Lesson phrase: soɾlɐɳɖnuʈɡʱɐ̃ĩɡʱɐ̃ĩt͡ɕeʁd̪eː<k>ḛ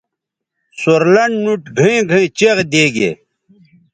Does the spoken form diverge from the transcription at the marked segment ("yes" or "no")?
yes